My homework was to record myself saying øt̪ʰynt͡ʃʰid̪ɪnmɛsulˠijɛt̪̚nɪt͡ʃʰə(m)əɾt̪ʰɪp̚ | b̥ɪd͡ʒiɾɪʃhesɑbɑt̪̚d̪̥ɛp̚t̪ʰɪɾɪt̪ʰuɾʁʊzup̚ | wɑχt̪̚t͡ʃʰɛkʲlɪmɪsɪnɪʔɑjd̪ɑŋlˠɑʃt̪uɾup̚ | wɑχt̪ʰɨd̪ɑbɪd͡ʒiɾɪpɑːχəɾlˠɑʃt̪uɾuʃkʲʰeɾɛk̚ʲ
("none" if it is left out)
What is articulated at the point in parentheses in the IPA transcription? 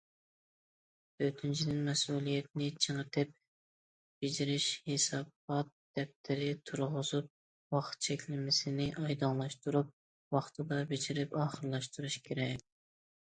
ŋ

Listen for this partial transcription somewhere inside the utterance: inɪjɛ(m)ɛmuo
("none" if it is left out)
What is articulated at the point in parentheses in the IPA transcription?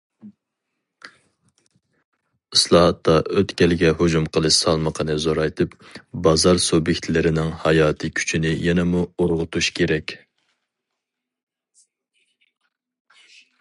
n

